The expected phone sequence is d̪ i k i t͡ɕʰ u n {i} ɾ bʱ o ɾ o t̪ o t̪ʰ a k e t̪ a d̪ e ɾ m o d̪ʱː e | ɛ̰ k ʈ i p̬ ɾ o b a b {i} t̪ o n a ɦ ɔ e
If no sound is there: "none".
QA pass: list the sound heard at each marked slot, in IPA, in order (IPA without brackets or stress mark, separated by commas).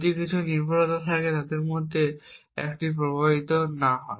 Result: i, i